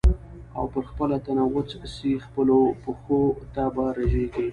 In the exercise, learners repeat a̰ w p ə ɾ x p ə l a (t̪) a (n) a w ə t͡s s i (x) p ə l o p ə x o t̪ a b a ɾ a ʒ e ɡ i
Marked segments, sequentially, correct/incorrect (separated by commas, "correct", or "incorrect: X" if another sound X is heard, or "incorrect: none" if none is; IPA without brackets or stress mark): correct, correct, correct